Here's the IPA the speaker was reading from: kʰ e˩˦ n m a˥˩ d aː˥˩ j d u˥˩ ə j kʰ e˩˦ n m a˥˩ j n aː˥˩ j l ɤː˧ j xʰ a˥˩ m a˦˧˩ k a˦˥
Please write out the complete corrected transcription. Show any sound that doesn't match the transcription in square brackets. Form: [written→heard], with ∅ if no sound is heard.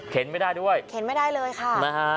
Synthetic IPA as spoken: kʰ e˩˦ n m a˥˩ d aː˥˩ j d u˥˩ ə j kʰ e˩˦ n m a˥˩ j [n→d] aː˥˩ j l ɤː˧ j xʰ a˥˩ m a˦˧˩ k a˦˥